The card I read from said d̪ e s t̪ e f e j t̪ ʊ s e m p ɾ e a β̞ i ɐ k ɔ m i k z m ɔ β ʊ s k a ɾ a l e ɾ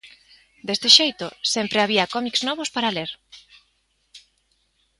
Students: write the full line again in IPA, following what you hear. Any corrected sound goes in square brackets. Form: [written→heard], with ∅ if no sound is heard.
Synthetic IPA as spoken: d̪ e s t̪ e [f→ʃ] e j t̪ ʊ s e m p ɾ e a β̞ i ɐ k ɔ m i k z [m→n] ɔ β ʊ s [k→p] a ɾ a l e ɾ